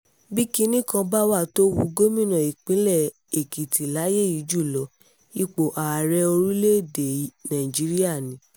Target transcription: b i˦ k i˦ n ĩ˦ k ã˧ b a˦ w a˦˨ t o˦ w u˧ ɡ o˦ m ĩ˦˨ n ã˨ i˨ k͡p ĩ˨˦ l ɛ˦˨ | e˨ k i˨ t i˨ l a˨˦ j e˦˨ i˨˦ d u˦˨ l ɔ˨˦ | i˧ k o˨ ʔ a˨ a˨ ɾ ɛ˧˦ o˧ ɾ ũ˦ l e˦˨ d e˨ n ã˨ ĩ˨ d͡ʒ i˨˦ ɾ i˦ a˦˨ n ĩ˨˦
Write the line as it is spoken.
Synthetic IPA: b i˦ k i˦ n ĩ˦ k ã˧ b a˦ w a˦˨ t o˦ w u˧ ɡ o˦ m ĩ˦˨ n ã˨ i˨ k͡p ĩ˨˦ l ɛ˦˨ | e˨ k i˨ t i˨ l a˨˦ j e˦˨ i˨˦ d͡ʒ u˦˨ l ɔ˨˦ | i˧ k͡p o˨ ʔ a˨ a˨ ɾ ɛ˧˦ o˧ ɾ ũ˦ l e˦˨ d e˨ n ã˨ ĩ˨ d͡ʒ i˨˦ ɾ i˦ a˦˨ n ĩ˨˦